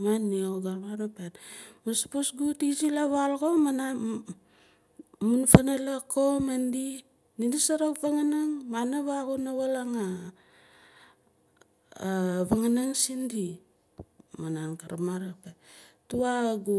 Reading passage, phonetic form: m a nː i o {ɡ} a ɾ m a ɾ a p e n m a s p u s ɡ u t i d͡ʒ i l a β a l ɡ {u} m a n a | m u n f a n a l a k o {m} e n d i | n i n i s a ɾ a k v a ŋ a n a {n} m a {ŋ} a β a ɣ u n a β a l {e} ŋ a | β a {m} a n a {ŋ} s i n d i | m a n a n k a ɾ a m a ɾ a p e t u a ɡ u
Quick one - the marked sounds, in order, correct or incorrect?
correct, incorrect, correct, incorrect, incorrect, incorrect, incorrect, correct

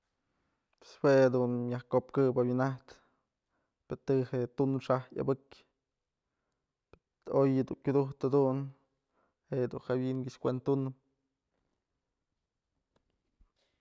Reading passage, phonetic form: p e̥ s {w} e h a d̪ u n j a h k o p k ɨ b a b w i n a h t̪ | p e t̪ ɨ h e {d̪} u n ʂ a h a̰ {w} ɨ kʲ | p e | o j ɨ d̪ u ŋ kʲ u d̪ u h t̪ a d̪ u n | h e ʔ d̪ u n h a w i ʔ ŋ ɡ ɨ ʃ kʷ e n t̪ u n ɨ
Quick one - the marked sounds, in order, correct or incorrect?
correct, incorrect, incorrect

